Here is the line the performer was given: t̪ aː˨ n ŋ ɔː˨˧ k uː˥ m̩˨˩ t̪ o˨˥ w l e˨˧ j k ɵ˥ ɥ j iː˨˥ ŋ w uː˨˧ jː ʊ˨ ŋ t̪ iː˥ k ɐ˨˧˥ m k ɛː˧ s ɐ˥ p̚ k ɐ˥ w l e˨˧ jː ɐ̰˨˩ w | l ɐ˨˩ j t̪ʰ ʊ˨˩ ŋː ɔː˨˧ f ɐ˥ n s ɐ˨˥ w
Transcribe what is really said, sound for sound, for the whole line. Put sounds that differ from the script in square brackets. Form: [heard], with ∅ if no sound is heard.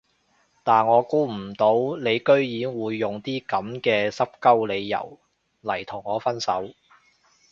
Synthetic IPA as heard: t̪ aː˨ n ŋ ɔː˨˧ k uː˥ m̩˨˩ t̪ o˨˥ w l e˨˧ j k ɵ˥ ɥ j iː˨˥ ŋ w uː˨˧ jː ʊ˨ ŋ t̪ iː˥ k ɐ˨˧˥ m k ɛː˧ s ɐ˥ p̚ k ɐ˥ w l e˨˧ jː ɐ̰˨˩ w | l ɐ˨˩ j t̪ʰ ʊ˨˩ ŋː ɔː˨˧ f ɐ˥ n s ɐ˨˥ w